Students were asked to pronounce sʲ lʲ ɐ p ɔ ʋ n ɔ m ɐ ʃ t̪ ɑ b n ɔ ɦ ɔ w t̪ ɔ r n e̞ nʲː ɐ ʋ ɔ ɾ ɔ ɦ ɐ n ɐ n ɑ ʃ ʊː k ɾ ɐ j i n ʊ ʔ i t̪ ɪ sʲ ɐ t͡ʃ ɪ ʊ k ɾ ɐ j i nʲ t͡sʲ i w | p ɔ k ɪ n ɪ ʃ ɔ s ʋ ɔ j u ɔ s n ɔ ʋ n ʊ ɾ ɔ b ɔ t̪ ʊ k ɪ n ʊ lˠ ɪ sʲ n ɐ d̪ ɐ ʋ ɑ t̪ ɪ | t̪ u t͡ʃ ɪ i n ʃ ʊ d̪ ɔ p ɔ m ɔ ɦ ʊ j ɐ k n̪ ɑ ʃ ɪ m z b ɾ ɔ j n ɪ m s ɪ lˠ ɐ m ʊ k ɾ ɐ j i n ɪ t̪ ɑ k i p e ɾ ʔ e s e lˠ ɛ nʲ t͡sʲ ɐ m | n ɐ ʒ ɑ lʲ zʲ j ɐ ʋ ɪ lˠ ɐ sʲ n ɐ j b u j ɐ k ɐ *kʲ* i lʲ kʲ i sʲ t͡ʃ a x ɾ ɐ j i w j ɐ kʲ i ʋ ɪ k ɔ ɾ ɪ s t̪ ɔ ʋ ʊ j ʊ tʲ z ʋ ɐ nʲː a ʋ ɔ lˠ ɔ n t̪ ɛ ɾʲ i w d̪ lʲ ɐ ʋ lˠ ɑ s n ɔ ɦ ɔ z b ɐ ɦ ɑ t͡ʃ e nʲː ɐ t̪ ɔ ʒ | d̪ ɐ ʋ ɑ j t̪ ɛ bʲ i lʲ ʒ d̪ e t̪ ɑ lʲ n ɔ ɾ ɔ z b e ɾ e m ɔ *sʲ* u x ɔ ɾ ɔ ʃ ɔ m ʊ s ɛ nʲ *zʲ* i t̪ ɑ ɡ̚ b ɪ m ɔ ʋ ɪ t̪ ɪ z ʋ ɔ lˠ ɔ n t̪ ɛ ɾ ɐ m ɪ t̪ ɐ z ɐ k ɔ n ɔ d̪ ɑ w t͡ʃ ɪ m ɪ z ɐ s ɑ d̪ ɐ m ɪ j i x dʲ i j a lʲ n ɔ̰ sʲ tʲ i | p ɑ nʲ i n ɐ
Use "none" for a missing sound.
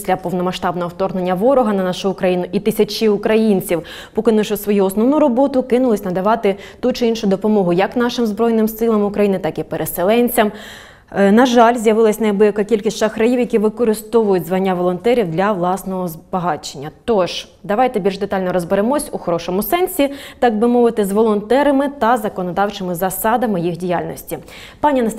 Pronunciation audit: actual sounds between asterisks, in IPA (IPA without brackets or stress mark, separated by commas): kʲ, sʲ, sʲ